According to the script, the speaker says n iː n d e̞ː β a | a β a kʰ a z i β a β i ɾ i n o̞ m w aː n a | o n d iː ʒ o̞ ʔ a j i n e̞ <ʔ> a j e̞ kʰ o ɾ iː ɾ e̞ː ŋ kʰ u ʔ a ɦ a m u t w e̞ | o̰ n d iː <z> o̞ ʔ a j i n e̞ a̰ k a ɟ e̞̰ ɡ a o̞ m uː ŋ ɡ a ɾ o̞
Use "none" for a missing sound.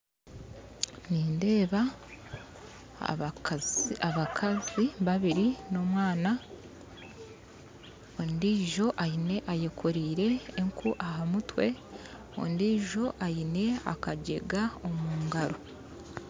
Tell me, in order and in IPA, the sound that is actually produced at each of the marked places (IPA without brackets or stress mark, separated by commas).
ʔ, ʒ